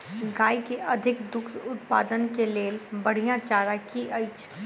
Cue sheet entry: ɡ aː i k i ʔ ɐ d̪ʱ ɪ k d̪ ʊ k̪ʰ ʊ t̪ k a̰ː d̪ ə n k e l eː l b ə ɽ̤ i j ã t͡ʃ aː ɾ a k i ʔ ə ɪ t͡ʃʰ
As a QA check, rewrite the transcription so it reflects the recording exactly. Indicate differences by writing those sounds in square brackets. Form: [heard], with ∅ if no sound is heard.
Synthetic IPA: ɡ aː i k [e] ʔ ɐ d̪ʱ ɪ k d̪ ʊ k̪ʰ ʊ t̪ [p] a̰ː d̪ ə n k e l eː l b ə ɽ̤ i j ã t͡ʃ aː ɾ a k i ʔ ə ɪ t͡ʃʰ